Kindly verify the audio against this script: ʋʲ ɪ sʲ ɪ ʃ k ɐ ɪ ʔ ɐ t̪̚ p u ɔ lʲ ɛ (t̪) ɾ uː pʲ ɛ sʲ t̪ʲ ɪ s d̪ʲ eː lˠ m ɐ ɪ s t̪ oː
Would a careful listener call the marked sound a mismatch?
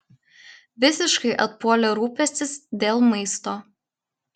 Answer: yes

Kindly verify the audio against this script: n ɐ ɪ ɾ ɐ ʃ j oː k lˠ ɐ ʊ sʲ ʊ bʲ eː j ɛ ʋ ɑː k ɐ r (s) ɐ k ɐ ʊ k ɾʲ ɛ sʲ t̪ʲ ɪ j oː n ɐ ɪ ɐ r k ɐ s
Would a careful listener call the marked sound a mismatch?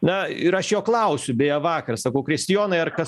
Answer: no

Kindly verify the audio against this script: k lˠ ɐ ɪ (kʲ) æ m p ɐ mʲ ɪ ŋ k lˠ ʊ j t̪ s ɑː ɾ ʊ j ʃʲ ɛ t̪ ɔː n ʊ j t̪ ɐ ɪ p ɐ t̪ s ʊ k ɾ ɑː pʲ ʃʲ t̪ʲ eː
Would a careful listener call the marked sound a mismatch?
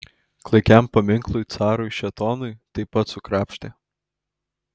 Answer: no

